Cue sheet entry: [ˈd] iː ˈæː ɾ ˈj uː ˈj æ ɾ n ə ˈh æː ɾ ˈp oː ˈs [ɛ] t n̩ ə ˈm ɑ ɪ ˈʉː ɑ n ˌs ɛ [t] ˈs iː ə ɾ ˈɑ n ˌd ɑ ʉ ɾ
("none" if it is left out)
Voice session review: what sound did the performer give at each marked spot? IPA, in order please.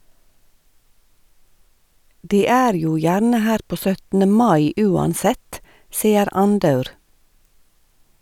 d, œ, t

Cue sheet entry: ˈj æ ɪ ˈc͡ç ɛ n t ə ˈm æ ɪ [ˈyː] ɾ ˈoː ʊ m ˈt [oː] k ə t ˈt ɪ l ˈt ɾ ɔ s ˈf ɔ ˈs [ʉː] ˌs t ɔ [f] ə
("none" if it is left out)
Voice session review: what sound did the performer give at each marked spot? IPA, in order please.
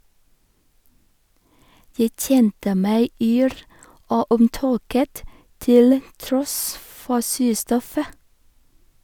yː, oː, ʉː, f

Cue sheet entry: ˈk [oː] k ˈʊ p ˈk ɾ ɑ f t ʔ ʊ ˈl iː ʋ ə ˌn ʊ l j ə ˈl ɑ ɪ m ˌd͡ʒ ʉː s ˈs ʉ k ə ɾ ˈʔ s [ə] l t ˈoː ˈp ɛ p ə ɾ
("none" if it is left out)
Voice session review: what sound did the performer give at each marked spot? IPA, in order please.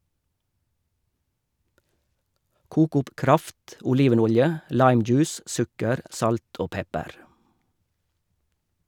uː, ɑ

